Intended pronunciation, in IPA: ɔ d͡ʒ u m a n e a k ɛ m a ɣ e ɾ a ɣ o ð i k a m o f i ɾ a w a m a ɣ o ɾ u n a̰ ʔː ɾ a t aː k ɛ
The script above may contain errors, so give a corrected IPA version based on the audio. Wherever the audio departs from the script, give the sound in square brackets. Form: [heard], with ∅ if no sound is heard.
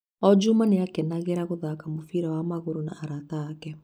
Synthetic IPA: ɔ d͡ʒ u m a n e a k ɛ [n] a ɣ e ɾ a ɣ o ð [a] k a m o f i ɾ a w a m a ɣ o ɾ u n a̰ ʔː ɾ a t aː k ɛ